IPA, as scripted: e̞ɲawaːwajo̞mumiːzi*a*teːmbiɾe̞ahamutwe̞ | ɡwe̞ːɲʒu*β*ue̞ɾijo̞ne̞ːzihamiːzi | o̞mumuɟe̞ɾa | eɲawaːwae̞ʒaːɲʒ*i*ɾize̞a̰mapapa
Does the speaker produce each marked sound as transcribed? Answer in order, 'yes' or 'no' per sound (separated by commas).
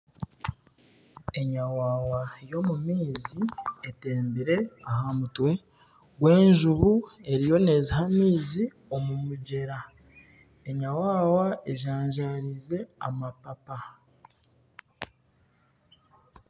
no, yes, no